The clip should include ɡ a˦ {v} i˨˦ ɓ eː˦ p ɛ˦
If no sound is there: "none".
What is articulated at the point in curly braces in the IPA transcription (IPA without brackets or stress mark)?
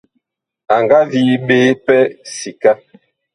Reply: v